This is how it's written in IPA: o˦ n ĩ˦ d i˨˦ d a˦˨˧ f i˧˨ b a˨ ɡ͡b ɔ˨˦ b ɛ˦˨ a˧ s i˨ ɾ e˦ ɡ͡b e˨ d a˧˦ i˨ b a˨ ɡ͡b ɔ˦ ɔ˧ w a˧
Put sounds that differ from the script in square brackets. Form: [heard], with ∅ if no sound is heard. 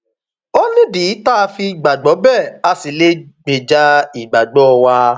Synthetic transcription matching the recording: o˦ n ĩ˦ d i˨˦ [t] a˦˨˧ f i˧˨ [ɡ͡b] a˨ ɡ͡b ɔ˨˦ b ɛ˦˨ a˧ s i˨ [l] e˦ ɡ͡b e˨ [d͡ʒ] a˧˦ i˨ [ɡ͡b] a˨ ɡ͡b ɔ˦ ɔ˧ w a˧